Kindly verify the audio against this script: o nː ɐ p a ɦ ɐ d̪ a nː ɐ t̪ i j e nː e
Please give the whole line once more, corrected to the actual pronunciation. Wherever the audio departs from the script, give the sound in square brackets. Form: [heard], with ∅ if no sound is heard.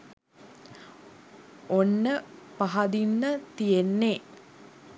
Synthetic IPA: o nː [ə] p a ɦ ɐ d̪ [i] nː [ə] t̪ i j e nː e